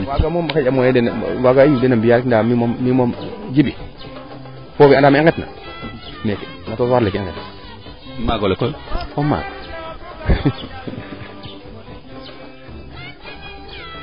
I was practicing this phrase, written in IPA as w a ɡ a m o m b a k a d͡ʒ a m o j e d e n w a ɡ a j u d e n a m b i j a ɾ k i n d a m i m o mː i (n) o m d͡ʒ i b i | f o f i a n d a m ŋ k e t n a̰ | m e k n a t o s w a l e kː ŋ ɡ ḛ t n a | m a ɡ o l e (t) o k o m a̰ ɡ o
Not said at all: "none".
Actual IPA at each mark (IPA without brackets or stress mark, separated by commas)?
m, k